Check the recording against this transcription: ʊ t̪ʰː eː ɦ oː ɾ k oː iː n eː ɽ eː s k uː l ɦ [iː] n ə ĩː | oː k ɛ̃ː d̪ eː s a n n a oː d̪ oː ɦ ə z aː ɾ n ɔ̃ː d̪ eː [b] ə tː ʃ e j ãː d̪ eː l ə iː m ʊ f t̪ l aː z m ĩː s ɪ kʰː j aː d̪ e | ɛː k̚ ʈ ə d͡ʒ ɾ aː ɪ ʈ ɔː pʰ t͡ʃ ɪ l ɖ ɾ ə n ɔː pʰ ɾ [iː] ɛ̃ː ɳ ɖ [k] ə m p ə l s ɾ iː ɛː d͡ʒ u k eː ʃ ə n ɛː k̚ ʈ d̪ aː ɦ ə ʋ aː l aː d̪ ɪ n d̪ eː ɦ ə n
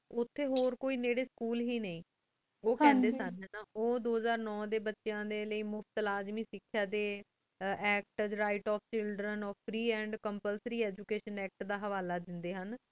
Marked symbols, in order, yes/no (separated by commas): yes, yes, yes, yes